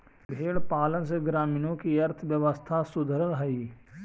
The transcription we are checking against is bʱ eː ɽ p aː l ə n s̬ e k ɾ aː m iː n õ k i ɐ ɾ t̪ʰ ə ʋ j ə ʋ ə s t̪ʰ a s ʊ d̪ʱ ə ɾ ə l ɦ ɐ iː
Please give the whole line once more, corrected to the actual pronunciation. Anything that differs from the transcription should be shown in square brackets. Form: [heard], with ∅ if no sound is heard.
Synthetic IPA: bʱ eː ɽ p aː l ə n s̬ e [ɡ] ɾ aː m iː n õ k i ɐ ɾ t̪ʰ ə ʋ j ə ʋ ə s t̪ʰ a s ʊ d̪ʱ ə ɾ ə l ɦ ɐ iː